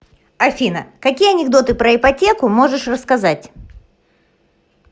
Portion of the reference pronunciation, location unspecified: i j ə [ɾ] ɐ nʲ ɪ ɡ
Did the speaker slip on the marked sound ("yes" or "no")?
yes